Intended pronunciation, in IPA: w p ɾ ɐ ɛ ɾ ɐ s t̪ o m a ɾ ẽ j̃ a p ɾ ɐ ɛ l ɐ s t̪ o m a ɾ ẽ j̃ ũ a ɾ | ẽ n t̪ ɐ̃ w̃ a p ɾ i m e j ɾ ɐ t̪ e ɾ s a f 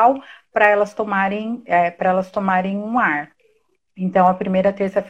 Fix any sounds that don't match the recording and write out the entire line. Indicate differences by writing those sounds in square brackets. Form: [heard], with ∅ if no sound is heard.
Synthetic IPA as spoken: w p ɾ ɐ ɛ [l] ɐ s t̪ o m a ɾ ẽ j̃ [ɛ] p ɾ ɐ ɛ l ɐ s t̪ o m a ɾ ẽ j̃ ũ a ɾ | ẽ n t̪ ɐ̃ w̃ [ɐ] p ɾ i m e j ɾ ɐ t̪ e ɾ s [ɐ] f